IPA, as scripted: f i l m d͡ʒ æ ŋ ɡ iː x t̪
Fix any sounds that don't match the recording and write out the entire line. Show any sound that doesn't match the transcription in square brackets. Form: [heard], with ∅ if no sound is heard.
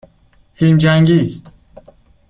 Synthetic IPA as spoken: f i l m d͡ʒ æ ŋ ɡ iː [s] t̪